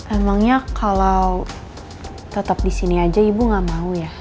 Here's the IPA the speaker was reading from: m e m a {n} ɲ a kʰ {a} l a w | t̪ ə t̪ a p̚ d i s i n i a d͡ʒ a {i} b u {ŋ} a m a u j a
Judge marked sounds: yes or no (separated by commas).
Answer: no, yes, yes, yes